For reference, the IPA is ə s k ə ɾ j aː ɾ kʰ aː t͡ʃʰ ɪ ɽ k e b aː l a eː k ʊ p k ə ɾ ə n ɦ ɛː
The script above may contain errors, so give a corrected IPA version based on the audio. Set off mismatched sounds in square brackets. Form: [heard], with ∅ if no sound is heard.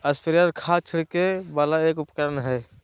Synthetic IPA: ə s [p] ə ɾ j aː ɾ kʰ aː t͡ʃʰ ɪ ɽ k e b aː l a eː k ʊ p k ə ɾ ə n ɦ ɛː